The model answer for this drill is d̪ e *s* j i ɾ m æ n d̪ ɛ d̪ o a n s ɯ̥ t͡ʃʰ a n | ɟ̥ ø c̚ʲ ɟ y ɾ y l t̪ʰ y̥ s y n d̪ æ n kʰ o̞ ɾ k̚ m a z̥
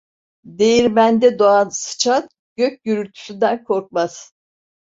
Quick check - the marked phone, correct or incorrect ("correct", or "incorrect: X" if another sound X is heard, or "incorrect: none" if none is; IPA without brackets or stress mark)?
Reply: incorrect: none